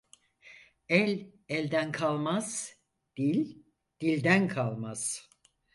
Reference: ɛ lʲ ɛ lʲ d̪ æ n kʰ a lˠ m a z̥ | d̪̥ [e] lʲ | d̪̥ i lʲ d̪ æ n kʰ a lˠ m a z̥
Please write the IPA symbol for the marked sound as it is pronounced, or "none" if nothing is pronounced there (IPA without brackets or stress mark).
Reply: i